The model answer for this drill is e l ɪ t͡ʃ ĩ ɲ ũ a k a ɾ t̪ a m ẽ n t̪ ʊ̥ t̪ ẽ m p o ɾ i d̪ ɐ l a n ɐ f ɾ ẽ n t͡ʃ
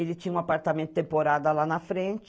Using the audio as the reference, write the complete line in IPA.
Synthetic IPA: e l ɪ t͡ʃ ĩ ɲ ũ a p a ɾ t̪ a m ẽ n t̪ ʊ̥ t̪ ẽ m p o ɾ a d̪ ɐ l a n ɐ f ɾ ẽ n t͡ʃ